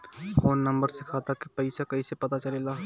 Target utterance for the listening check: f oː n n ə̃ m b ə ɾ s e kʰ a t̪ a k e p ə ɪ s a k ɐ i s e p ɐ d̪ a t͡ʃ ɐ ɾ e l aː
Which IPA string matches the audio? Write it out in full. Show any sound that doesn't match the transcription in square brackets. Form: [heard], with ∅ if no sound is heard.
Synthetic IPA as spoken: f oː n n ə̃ m b ə ɾ s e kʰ a t̪ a k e p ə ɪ s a k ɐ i s e p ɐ [t̪] a t͡ʃ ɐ [l] e l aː